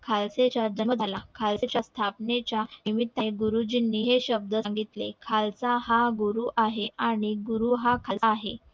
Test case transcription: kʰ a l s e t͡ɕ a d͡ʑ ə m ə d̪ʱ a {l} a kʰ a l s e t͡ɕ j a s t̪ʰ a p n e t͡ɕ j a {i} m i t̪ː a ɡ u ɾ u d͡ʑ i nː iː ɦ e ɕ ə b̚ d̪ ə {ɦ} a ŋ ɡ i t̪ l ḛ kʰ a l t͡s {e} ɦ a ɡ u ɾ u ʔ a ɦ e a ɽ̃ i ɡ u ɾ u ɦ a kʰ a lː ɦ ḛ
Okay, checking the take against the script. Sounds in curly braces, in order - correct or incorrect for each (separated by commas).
correct, correct, incorrect, incorrect